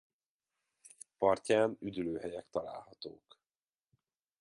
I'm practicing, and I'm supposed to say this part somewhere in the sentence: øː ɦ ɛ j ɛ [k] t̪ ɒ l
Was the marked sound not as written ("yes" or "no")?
no